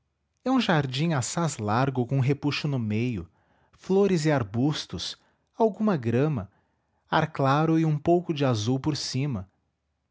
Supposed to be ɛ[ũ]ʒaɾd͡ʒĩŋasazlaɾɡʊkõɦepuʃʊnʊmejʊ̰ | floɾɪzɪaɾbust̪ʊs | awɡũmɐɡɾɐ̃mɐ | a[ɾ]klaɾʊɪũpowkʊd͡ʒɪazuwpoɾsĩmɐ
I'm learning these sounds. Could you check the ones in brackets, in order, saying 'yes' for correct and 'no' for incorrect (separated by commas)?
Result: yes, yes